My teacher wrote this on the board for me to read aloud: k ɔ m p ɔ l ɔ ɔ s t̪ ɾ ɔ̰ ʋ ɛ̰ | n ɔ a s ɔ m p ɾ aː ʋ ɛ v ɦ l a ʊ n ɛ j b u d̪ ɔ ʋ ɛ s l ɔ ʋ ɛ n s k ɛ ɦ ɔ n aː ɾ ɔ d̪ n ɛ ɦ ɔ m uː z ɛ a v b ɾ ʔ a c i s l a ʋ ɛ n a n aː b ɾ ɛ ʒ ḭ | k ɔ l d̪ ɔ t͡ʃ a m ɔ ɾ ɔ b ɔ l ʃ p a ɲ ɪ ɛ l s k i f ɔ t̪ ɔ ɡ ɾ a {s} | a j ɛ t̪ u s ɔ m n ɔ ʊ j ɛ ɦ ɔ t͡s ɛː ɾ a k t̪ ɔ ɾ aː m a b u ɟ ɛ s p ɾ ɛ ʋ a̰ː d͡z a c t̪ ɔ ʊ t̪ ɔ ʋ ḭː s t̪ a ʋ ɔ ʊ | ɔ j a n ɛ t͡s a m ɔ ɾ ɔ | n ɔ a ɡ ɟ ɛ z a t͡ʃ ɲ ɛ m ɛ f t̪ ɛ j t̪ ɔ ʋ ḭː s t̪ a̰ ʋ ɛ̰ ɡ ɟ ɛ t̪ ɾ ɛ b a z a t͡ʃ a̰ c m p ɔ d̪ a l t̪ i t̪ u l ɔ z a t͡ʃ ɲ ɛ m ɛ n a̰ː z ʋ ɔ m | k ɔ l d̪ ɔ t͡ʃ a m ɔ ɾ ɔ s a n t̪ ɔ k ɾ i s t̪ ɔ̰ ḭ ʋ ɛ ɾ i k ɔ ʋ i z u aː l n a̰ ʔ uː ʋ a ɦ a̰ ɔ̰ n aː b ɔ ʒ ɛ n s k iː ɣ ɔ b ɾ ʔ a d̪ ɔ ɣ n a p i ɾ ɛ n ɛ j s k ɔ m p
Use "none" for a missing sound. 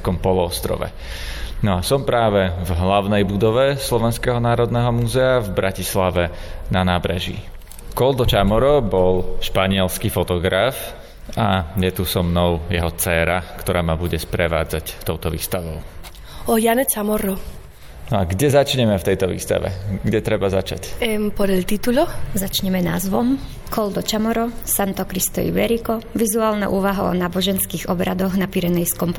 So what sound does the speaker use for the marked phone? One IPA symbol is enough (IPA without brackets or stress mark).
f